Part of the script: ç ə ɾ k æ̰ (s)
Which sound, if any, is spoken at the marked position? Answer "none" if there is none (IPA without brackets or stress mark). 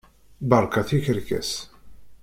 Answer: s